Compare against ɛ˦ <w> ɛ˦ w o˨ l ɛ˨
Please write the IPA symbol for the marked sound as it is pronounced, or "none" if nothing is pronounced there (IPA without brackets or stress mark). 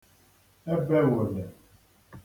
b